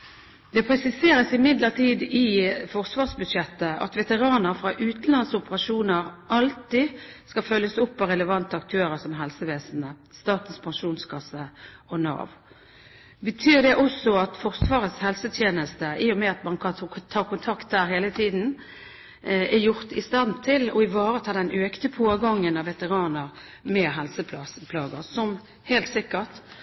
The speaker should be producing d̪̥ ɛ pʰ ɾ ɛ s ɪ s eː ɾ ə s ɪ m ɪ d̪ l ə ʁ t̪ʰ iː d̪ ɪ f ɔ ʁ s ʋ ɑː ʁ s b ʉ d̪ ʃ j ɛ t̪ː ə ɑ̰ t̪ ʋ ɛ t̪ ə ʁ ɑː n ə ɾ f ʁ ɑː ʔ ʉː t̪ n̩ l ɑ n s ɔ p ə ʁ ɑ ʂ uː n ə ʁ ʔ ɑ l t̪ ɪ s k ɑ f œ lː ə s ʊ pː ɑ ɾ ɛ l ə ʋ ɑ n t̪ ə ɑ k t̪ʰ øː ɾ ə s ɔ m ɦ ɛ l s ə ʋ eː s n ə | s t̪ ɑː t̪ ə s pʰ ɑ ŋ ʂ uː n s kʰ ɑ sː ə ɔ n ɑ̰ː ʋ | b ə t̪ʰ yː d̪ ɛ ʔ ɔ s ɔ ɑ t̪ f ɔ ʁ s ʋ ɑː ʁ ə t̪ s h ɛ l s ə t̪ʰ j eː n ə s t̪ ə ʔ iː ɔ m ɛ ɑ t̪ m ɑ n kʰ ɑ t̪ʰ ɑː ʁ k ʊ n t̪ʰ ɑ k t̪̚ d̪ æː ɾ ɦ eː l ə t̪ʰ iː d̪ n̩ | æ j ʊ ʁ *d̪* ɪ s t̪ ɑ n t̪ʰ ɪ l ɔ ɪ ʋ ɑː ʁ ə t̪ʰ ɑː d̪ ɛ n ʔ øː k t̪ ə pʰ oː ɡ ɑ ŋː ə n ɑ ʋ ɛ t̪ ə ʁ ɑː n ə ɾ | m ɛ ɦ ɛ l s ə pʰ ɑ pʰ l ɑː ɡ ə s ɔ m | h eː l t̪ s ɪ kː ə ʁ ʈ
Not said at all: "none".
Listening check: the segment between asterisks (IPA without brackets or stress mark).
t̪